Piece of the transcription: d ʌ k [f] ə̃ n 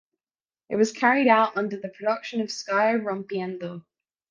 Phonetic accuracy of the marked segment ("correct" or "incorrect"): incorrect